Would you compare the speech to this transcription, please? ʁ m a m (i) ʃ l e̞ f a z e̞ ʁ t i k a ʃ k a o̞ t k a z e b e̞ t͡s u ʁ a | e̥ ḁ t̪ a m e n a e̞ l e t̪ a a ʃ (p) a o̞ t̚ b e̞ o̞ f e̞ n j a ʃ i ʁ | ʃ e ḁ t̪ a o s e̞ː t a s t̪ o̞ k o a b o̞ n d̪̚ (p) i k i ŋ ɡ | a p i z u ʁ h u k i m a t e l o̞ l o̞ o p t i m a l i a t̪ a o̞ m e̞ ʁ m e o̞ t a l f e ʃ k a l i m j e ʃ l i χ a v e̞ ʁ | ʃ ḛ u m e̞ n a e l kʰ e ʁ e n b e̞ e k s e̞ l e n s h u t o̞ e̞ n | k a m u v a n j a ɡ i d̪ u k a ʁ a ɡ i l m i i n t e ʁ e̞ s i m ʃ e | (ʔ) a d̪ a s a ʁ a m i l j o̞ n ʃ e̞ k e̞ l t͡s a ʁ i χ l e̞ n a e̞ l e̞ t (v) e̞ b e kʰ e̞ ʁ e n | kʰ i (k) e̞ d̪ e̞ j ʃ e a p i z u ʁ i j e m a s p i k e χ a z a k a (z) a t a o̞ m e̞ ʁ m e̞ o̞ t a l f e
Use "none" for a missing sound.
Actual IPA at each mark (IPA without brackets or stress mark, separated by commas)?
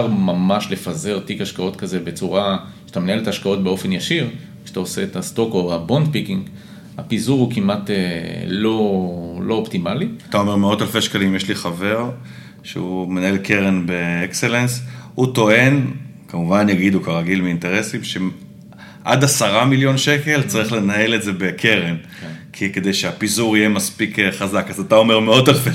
a, k, p, ʔ, z, k, z